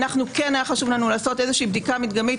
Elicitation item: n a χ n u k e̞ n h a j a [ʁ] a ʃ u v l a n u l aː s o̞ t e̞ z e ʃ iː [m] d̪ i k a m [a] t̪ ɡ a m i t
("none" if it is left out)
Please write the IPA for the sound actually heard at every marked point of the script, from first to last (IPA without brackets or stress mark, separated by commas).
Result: χ, b, i